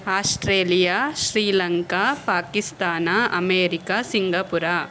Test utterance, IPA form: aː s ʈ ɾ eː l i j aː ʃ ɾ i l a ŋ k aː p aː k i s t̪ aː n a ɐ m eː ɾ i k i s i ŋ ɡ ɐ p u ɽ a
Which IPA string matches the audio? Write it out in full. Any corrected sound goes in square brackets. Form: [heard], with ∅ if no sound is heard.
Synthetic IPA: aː s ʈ ɾ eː l i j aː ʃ ɾ [iː] l [ɐ] ŋ k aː p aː k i s t̪ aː n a ɐ m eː ɾ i k [a] s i ŋ ɡ ɐ p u [ɾ] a